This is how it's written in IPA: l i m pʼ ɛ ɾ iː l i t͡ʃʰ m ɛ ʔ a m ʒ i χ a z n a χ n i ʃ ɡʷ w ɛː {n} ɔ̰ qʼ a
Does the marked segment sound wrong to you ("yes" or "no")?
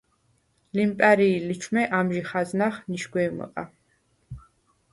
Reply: yes